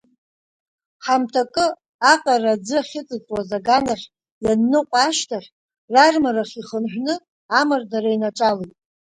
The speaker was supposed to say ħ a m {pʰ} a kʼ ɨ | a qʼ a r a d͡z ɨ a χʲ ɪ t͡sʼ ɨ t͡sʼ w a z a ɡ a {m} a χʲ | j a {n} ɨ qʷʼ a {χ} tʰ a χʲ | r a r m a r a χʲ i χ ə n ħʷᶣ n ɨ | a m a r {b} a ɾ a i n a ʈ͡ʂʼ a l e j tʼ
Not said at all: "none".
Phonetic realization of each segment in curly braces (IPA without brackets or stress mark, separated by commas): tʰ, n, nː, ʃ, d